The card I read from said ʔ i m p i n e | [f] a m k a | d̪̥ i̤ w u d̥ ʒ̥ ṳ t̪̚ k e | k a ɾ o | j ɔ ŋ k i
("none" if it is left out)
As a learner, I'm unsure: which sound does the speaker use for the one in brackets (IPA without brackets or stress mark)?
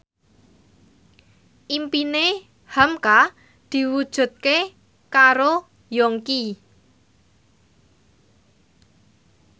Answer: h